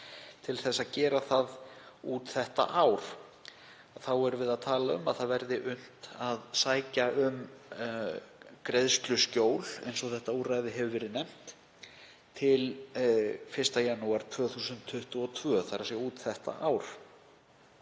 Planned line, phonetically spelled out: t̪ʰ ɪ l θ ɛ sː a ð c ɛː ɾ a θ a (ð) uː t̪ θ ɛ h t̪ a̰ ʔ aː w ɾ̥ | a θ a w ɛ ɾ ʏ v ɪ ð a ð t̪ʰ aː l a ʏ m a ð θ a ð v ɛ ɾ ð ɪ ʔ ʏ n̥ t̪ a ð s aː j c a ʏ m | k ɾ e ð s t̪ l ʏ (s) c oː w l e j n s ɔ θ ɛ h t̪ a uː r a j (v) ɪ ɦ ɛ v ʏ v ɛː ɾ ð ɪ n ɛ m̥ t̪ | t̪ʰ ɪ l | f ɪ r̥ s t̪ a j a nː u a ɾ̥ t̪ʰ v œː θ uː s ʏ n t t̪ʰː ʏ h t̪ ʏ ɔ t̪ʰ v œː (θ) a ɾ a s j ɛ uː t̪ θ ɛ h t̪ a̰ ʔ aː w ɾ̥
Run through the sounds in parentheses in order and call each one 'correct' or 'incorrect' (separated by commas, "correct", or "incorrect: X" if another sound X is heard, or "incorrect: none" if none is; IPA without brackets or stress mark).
correct, correct, incorrect: ð, correct